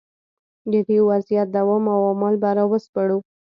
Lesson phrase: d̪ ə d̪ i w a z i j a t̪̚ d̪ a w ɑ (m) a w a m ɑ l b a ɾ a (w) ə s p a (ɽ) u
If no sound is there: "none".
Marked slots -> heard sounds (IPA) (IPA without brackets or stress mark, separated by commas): m, w, ɽ